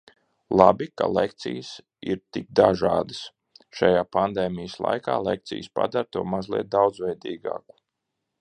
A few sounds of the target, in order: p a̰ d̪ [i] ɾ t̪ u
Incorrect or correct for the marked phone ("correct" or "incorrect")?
incorrect